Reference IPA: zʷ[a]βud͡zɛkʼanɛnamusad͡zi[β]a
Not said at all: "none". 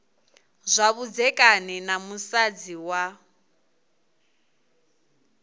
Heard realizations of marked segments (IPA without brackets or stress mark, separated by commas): a, w